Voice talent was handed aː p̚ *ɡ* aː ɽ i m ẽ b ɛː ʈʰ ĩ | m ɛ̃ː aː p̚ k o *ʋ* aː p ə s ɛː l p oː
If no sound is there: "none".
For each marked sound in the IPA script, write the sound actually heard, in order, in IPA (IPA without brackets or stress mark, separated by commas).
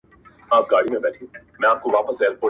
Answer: ɡ, ʋ